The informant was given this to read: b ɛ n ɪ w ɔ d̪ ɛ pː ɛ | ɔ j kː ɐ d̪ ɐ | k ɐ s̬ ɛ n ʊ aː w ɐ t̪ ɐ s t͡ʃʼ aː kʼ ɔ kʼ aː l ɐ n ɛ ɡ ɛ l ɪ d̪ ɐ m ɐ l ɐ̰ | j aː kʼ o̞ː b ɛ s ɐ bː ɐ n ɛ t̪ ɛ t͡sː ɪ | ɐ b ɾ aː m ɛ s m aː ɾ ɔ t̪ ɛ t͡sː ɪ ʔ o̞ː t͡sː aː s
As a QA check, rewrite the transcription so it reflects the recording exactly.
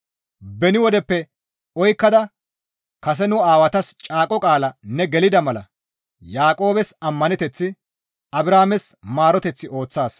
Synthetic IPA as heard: b ɛ n ɪ w ɔ d̪ ɛ pː ɛ | ɔ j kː ɐ d̪ ɐ | k ɐ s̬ ɛ n ʊ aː w ɐ t̪ ɐ s t͡ʃʼ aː kʼ ɔ kʼ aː l ɐ n ɛ ɡ ɛ l ɪ d̪ ɐ m ɐ l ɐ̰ | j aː kʼ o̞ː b ɛ s ɐ mː ɐ n ɛ t̪ ɛ t͡sː ɪ | ɐ b ɾ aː m ɛ s m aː ɾ ɔ t̪ ɛ t͡sː ɪ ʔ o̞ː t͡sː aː s